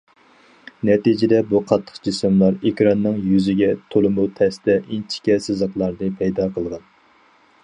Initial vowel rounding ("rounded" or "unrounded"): unrounded